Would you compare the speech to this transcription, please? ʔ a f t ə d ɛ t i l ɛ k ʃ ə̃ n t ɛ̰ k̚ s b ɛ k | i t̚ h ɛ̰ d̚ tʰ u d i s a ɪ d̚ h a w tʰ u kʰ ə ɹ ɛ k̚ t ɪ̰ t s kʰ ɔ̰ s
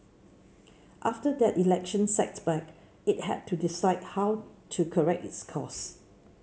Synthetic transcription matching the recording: ʔ a f t ə d ɛ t i l ɛ k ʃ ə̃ n s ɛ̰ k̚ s b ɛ k | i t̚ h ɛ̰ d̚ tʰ u d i s a ɪ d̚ h a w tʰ u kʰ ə ɹ ɛ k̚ t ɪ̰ t s kʰ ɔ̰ s